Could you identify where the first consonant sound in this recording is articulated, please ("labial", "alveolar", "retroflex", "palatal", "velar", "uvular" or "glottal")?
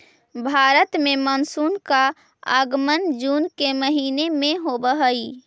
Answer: labial